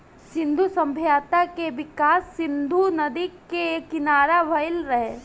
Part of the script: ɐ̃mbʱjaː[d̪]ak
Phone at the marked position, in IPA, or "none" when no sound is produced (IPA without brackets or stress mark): t̪